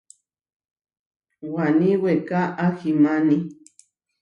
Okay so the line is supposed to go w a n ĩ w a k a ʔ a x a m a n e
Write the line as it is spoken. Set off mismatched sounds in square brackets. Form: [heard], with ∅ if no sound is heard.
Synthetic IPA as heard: w a n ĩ w [e] k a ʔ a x [i] m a n [i]